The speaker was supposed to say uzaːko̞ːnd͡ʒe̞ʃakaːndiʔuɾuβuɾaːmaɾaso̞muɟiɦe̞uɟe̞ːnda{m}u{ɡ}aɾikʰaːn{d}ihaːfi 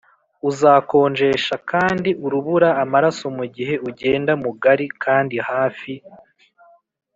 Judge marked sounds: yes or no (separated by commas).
yes, yes, yes